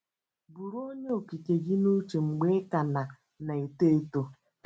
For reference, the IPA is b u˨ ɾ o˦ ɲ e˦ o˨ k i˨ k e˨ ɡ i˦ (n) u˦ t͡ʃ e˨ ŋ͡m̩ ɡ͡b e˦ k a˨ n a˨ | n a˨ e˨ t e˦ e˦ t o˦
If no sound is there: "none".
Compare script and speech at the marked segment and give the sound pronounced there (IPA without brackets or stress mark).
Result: n